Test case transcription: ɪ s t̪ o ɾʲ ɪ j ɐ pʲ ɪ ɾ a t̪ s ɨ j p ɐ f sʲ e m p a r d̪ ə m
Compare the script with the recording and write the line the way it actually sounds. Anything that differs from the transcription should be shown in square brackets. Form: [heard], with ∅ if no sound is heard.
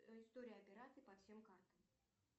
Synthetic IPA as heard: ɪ s t̪ o ɾʲ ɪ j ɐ pʲ ɪ ɾ a t̪ s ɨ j p ɐ f sʲ e m [k] a r [t̪] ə m

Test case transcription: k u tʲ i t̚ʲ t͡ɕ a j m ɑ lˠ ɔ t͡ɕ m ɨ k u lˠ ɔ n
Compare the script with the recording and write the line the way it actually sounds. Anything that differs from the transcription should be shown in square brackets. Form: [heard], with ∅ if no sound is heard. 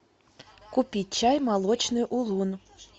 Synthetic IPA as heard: k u [pʲ] i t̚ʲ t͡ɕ a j m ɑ lˠ ɔ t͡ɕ [n] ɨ [ʔ] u lˠ [u] n

